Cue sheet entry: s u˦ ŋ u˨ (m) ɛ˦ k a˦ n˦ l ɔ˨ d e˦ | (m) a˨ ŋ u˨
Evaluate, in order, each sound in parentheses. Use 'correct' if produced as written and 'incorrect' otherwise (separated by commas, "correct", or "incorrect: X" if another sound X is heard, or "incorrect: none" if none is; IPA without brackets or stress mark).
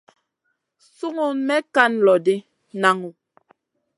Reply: correct, incorrect: n